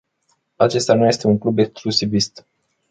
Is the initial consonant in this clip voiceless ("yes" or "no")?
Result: yes